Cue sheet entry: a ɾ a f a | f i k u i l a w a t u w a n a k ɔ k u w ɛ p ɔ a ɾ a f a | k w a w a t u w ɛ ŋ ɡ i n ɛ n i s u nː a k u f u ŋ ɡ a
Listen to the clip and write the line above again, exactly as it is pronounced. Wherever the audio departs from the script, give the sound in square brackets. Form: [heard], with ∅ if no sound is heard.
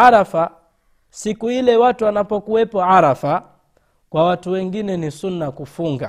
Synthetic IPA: a ɾ a f a | [s] i k u i l [ɛ] w a t u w a n a [p] ɔ k u w ɛ p ɔ a ɾ a f a | k w a w a t u w ɛ ŋ ɡ i n ɛ n i s u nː a k u f u ŋ ɡ a